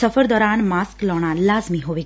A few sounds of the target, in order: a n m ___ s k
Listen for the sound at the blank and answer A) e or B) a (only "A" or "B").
B